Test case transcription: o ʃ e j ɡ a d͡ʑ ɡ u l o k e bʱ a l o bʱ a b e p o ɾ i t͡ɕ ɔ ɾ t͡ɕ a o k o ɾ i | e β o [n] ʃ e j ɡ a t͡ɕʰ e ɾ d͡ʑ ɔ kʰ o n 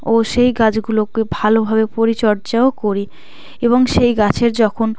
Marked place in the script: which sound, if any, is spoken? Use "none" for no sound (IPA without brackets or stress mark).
ŋ